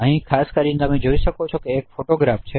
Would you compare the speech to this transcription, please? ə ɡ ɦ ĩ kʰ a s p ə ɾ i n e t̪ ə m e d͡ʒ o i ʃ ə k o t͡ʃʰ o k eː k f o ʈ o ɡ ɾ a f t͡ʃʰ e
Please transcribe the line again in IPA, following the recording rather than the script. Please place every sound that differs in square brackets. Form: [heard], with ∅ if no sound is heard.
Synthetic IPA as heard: ə [∅] ɦ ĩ kʰ a s [k] ə ɾ i n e t̪ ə m e d͡ʒ o i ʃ ə k o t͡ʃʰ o k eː k f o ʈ o ɡ ɾ a f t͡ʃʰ e